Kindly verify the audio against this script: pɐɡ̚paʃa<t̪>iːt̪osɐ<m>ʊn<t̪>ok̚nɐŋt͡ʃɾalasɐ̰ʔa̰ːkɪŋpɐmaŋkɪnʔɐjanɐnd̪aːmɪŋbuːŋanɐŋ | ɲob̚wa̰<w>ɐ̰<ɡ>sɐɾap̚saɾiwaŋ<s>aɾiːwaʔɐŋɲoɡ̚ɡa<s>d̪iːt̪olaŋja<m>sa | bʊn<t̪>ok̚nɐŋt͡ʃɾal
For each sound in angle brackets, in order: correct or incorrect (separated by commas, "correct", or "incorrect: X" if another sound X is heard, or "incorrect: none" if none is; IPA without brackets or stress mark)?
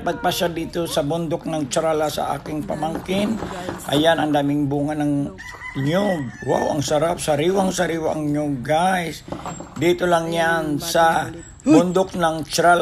incorrect: d̪, incorrect: b, incorrect: d̪, correct, incorrect: ŋ, correct, correct, incorrect: n, incorrect: d̪